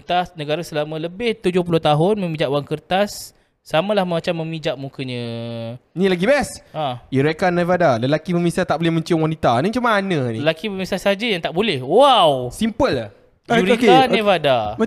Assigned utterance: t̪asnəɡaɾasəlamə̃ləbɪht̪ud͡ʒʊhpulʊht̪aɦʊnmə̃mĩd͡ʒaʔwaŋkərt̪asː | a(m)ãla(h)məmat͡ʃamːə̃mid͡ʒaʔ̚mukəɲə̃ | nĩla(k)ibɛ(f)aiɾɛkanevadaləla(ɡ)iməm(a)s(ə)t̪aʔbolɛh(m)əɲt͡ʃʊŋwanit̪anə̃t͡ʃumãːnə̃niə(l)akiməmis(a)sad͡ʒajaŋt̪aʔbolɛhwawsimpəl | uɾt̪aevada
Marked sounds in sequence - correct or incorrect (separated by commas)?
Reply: correct, correct, incorrect, incorrect, incorrect, incorrect, incorrect, correct, correct, correct